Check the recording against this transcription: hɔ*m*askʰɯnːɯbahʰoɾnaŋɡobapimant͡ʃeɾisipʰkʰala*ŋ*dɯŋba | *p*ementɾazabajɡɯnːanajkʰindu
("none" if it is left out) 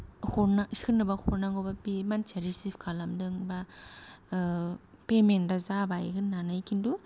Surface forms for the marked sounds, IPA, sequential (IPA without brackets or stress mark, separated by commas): n, m, p